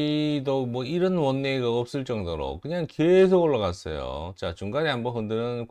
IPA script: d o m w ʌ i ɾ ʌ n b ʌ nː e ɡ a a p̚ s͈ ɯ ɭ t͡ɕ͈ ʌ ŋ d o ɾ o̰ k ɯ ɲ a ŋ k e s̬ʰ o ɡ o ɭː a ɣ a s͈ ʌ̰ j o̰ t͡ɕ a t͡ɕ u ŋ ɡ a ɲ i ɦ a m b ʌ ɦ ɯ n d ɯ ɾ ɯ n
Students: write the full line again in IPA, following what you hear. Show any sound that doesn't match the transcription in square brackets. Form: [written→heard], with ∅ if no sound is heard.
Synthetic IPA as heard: d o m w ʌ i ɾ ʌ n [b→w] ʌ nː e ɡ a [a→ʌ] p̚ s͈ ɯ ɭ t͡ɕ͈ ʌ ŋ d o ɾ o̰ k ɯ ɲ a ŋ k e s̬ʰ o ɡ o ɭː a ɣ a s͈ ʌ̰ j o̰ t͡ɕ a t͡ɕ u ŋ ɡ a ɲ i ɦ a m b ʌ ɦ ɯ n d ɯ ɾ ɯ n